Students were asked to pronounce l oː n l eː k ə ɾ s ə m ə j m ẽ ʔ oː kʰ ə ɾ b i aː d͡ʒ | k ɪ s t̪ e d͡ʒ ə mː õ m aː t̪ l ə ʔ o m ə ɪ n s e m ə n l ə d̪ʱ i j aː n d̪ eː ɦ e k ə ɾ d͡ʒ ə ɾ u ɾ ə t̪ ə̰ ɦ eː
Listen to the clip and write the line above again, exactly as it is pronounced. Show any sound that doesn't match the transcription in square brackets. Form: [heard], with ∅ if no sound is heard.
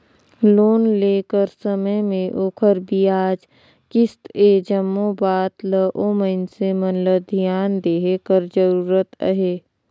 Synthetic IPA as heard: l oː n l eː k ə ɾ s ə m ə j m ẽ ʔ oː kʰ ə ɾ b i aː d͡ʒ | k ɪ s t̪ e d͡ʒ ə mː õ [b] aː t̪ l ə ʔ o m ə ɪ n s e m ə n l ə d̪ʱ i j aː n d̪ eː ɦ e k ə ɾ d͡ʒ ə ɾ [uː] ɾ ə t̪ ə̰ ɦ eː